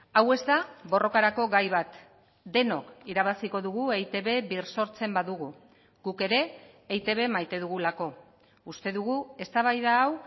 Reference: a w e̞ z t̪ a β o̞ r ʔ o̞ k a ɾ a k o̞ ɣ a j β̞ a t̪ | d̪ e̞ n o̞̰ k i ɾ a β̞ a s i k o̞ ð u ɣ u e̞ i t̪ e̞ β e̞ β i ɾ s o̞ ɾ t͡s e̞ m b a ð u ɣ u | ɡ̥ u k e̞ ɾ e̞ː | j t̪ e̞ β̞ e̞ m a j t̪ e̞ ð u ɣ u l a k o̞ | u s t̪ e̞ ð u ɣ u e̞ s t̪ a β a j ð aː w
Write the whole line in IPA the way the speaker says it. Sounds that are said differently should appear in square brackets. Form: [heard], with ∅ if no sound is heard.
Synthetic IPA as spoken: a w e̞ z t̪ a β o̞ r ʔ o̞ k a ɾ a k o̞ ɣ a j β̞ a t̪ | d̪ e̞ n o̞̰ k i ɾ a β̞ a s i k o̞ ð u ɣ u e̞ [j] t̪ e̞ β e̞ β i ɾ s o̞ ɾ t͡s e̞ m b a ð u ɣ u | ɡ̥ u k e̞ ɾ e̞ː | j t̪ e̞ β̞ e̞ m a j t̪ e̞ ð u ɣ u l a k o̞ | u s t̪ e̞ ð u ɣ u e̞ s t̪ a β a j ð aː w